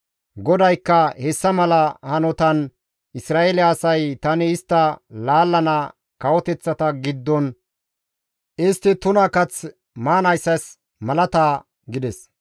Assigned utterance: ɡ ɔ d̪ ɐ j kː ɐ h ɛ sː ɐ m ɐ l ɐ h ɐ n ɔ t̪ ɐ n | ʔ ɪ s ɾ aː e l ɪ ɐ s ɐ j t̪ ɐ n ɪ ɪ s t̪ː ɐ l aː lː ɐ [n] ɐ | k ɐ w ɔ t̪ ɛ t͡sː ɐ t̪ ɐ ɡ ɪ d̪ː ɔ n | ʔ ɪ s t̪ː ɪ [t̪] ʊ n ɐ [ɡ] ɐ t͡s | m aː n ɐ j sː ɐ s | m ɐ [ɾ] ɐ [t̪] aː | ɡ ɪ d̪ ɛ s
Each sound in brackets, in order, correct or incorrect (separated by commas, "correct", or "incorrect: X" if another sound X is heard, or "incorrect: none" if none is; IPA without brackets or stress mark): correct, correct, incorrect: k, incorrect: l, correct